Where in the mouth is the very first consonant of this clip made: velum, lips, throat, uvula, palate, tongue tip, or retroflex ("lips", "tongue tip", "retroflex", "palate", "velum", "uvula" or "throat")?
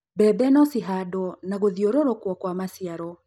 lips